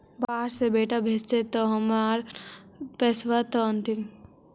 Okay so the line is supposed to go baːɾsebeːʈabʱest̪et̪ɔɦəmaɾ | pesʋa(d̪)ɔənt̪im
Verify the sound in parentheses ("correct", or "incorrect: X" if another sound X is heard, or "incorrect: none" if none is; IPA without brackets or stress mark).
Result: incorrect: t̪